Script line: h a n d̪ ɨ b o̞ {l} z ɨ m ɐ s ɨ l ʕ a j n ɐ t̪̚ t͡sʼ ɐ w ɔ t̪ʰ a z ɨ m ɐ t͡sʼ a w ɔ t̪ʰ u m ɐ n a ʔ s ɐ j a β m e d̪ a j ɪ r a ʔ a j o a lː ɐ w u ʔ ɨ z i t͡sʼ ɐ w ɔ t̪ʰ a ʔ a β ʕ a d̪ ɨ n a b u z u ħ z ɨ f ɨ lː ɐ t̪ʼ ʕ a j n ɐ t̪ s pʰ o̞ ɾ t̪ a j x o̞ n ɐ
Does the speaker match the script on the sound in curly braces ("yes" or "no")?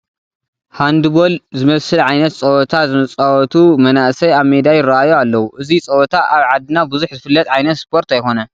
yes